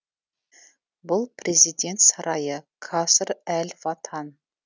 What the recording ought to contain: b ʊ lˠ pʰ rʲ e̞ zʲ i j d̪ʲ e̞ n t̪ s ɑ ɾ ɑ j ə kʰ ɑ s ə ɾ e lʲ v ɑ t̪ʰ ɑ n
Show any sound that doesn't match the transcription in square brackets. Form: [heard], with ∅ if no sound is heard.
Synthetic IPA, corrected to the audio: b ʊ lˠ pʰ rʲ e̞ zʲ i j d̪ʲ e̞ n t̪ s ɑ ɾ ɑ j ə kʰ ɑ s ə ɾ [æ] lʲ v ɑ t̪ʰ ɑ n